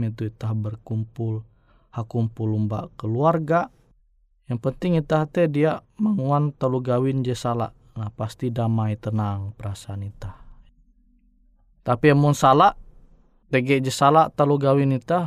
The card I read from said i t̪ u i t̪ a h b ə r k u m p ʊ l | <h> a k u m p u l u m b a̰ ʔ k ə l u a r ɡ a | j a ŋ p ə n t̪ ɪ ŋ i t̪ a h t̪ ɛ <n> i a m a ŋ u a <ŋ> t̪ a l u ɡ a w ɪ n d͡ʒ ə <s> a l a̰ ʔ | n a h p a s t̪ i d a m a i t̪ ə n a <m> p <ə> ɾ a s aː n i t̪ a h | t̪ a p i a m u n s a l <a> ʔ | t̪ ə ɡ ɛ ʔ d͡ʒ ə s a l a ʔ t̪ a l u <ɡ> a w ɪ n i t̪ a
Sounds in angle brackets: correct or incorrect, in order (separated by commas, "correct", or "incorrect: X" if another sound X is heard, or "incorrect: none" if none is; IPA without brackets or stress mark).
correct, incorrect: d, incorrect: n, correct, incorrect: ŋ, correct, correct, correct